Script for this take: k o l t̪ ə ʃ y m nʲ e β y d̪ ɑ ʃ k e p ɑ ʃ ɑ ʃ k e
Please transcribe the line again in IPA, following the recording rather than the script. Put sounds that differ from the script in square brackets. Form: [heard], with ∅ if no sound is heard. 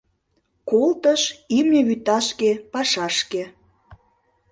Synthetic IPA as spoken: k o l t̪ ə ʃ [i] m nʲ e β y [t̪] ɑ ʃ k e p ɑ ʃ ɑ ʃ k e